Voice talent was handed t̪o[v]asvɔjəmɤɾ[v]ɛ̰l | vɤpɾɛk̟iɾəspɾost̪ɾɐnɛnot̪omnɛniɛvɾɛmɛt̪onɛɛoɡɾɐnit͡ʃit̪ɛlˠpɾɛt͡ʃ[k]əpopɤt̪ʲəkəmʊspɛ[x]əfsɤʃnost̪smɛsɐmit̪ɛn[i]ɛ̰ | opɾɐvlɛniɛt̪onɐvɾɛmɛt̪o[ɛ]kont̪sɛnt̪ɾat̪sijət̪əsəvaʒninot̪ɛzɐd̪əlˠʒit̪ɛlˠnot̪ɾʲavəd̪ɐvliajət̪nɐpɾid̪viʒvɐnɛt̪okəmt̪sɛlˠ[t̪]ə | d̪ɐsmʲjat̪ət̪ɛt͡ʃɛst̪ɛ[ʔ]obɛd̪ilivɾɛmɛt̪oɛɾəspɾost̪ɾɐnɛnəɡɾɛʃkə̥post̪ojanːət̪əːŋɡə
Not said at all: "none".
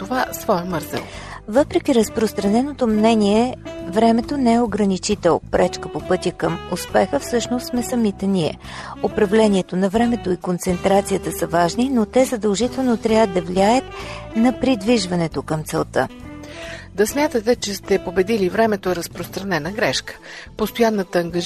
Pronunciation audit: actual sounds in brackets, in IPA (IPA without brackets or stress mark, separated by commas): v, z, k, x, i, i, t̪, p